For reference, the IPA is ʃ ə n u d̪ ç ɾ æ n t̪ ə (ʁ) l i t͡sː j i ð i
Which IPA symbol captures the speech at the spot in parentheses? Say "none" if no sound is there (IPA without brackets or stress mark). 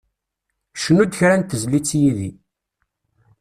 z